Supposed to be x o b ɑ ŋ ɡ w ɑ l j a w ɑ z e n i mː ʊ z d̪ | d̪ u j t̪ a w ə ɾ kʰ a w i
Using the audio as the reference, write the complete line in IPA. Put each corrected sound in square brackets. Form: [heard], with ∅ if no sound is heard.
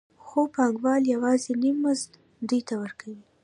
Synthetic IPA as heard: x o [p] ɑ ŋ ɡ w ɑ l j a w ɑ z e n i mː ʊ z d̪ | d̪ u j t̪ a w ə ɾ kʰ a w i

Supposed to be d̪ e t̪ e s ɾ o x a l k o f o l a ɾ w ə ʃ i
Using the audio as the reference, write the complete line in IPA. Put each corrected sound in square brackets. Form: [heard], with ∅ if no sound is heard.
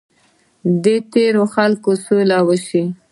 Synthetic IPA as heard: d̪ e t̪ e [∅] ɾ o x a l k o [s] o l a [∅] w ə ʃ i

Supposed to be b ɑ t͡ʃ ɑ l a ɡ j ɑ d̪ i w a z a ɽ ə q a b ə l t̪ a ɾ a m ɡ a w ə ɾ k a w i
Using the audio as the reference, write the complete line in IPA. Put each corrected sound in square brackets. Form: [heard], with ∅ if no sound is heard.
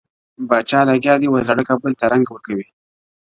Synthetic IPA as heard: b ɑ t͡ʃ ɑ l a ɡ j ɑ d̪ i w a z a ɽ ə [k] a b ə l t̪ a ɾ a [ŋ] ɡ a w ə ɾ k a w i

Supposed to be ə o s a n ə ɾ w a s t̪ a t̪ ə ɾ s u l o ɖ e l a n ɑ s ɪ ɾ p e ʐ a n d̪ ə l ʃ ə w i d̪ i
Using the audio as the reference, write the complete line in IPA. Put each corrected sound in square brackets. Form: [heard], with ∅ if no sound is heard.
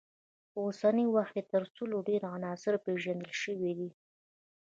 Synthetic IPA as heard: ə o s a n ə [∅] w a [x] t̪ [e] t̪ ə ɾ s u l o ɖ e [ɾ] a n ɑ s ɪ ɾ p e [ʒ] a n d̪ ə l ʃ ə w i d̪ i

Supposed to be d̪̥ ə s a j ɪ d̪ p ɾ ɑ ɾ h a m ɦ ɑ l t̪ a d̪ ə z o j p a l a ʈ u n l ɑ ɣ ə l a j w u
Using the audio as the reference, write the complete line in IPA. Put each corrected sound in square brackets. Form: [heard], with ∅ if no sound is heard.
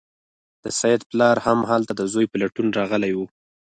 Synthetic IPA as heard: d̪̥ ə s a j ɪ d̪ p [l] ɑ ɾ h a m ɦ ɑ l t̪ a d̪ ə z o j p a l a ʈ u n [ɾ] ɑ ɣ ə l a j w u

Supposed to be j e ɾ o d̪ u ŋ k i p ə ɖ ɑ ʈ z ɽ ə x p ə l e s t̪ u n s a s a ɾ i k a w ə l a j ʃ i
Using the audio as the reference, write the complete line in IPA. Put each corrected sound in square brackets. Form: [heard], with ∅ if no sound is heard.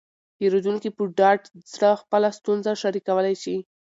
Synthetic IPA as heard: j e ɾ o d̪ u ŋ k i p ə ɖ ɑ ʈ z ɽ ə x p ə l [a] s t̪ u n [z] a [ʃ] a ɾ i k a w ə l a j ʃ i

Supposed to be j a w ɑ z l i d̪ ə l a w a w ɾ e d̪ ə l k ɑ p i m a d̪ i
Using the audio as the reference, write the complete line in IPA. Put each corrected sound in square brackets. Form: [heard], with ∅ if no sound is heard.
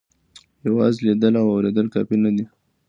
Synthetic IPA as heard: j a w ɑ z l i d̪ ə l a w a w ɾ e d̪ ə l k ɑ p i [n] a d̪ i

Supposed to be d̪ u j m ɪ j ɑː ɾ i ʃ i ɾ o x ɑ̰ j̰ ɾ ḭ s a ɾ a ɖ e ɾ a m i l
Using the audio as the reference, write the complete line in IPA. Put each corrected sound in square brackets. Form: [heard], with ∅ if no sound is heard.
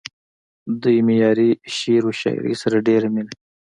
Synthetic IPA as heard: d̪ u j m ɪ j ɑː ɾ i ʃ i ɾ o [ʃ] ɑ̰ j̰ ɾ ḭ s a ɾ a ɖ e ɾ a m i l

